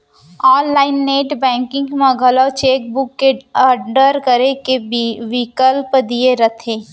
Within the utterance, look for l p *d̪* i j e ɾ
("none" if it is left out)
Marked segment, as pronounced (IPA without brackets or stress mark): d̪